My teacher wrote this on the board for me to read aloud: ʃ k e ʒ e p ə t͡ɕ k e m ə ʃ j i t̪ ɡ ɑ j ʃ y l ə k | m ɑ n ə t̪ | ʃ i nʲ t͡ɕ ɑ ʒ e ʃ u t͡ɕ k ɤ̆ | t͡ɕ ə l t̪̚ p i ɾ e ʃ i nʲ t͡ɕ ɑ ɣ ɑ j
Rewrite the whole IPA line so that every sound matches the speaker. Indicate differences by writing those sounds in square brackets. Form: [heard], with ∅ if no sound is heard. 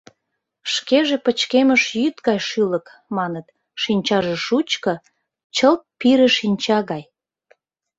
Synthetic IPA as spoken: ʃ k e ʒ e p ə t͡ɕ k e m ə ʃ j [y] t̪ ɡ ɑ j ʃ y l ə k | m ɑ n ə t̪ | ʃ i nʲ t͡ɕ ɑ ʒ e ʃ u t͡ɕ k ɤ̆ | t͡ɕ ə l t̪̚ p i ɾ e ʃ i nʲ t͡ɕ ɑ ɣ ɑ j